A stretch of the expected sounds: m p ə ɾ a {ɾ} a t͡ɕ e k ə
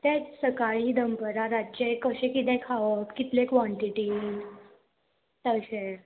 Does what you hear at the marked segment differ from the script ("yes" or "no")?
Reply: no